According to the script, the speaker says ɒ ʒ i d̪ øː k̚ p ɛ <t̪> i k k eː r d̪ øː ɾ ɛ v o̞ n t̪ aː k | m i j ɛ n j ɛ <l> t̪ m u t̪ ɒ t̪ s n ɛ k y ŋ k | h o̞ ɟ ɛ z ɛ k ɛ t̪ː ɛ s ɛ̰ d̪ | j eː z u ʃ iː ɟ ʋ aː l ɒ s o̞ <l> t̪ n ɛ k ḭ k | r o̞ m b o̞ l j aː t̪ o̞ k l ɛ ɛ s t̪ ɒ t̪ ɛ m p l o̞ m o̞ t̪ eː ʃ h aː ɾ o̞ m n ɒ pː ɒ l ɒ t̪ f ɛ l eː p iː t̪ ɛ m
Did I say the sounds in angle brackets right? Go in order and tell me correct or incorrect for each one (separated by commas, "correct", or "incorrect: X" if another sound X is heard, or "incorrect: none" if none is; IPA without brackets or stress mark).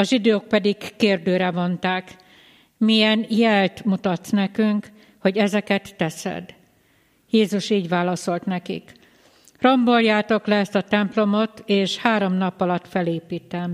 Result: incorrect: d̪, correct, correct